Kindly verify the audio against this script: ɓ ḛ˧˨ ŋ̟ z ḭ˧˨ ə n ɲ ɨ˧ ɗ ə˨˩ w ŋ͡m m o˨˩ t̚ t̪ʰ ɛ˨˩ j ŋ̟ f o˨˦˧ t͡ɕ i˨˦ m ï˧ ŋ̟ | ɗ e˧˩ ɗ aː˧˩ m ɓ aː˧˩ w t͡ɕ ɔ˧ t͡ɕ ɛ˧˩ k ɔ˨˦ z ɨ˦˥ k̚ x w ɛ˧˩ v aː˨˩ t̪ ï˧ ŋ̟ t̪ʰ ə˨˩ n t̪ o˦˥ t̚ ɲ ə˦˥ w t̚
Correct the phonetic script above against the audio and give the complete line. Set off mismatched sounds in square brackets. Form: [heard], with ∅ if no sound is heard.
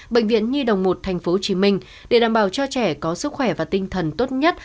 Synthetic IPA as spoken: ɓ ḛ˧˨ ŋ̟ [v] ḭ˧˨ ə n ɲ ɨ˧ ɗ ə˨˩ w ŋ͡m m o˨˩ t̚ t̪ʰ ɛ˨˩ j ŋ̟ f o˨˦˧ t͡ɕ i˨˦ m ï˧ ŋ̟ | ɗ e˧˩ ɗ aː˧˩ m ɓ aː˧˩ w t͡ɕ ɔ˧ t͡ɕ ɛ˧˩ k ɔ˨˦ [s] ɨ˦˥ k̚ x w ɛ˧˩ v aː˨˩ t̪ ï˧ ŋ̟ t̪ʰ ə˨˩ n t̪ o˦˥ t̚ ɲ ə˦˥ [∅] t̚